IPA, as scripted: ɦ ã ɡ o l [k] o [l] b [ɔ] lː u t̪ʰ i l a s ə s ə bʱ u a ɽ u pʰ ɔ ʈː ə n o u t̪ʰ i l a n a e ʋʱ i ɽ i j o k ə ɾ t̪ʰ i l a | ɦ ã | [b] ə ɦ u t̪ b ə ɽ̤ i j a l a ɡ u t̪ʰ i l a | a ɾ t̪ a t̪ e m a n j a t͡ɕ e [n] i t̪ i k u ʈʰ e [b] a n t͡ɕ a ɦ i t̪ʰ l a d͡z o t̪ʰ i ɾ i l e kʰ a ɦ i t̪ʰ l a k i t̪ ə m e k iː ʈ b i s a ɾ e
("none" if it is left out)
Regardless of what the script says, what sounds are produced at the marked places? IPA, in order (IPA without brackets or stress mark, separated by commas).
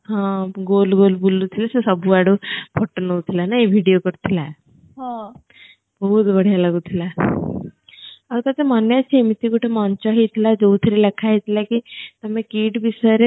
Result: ɡ, l, u, b, m, m